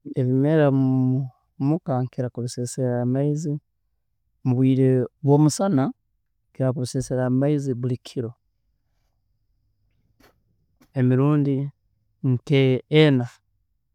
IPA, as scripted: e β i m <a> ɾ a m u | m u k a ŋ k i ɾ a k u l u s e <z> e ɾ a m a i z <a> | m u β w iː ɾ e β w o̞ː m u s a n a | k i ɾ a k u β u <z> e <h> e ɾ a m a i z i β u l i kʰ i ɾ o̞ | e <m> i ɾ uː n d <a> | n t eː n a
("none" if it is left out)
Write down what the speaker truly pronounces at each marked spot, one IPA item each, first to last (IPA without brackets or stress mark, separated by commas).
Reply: e, s, i, s, s, m, i